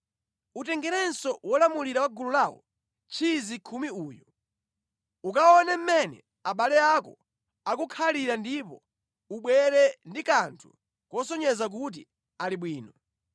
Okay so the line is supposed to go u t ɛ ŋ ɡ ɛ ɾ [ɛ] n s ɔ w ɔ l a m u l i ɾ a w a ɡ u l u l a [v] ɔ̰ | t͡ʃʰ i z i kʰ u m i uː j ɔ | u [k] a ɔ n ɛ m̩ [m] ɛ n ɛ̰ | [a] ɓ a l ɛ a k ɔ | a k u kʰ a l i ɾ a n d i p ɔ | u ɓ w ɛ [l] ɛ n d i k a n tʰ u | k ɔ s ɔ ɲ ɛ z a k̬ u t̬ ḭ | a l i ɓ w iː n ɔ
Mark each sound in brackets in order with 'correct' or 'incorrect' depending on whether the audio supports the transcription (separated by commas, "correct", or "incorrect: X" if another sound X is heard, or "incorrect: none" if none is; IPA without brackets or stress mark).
correct, incorrect: w, correct, correct, correct, incorrect: ɾ